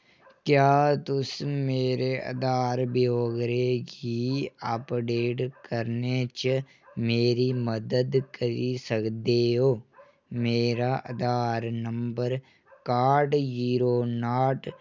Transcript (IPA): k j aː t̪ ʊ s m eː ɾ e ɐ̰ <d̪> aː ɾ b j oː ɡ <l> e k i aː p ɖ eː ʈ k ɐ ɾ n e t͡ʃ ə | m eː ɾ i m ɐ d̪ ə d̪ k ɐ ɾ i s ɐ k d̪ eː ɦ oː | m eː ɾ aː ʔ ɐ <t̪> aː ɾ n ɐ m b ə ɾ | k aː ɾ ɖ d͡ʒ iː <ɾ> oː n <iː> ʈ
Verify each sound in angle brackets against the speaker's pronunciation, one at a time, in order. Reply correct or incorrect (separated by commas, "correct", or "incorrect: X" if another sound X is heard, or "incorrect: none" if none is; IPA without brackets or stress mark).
correct, incorrect: ɾ, incorrect: d̪, correct, incorrect: aː